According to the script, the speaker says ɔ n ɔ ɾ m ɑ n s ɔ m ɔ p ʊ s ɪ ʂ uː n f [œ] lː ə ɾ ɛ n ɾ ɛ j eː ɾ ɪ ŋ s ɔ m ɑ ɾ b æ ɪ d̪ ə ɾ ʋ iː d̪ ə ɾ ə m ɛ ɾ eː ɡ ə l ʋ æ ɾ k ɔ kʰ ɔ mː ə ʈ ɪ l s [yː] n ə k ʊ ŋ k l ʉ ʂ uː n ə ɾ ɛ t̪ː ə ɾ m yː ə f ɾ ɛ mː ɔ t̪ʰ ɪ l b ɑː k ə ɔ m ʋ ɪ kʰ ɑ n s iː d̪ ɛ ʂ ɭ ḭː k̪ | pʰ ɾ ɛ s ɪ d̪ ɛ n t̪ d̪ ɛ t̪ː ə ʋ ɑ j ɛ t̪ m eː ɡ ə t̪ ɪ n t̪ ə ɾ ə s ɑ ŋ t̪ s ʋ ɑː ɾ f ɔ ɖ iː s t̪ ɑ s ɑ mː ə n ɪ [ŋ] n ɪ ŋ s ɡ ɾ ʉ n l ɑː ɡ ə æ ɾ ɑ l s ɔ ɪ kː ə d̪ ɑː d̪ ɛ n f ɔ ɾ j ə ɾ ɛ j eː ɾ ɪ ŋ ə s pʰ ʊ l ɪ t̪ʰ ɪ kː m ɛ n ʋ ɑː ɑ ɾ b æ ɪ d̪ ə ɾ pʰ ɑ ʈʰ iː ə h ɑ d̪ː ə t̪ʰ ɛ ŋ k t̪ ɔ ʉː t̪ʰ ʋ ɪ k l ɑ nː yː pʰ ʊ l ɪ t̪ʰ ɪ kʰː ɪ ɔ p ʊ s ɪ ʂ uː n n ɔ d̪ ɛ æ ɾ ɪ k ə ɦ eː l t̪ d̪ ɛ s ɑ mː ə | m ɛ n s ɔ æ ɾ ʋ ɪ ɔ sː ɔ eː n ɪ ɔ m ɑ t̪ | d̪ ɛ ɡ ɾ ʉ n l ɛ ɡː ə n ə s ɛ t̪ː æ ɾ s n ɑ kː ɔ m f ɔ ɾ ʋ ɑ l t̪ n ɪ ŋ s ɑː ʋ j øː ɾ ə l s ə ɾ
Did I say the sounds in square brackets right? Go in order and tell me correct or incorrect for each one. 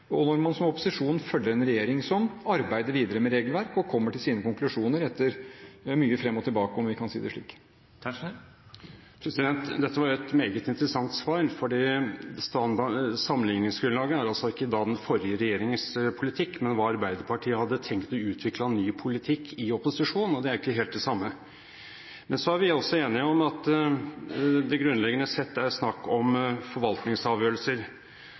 correct, incorrect: iː, correct

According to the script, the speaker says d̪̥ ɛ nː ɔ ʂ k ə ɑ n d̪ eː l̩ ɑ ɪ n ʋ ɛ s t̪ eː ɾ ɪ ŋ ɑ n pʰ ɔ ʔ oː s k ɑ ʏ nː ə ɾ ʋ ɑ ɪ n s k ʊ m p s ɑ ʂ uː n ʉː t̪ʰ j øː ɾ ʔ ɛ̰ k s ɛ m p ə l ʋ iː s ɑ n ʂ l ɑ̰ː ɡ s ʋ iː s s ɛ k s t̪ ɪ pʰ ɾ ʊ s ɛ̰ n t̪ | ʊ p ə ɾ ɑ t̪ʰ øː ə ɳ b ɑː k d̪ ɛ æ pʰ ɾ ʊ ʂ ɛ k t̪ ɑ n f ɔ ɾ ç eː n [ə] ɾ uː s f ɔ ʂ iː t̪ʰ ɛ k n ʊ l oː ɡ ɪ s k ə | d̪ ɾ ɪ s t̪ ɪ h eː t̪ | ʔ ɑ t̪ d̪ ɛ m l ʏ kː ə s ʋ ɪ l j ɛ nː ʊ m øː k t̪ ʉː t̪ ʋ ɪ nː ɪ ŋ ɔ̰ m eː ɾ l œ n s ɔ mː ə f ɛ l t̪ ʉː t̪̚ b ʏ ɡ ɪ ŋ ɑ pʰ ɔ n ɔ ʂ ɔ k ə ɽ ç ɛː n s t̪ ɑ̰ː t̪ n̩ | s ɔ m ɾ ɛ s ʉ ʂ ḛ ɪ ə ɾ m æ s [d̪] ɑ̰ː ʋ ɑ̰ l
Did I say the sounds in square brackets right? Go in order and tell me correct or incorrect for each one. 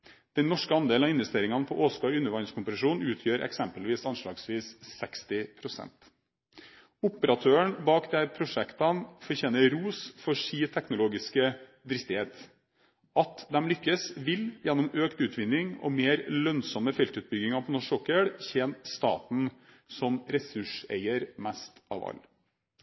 correct, incorrect: t̪

